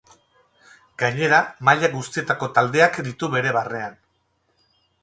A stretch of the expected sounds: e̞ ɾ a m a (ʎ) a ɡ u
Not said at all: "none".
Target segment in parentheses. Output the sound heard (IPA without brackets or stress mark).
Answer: ʎ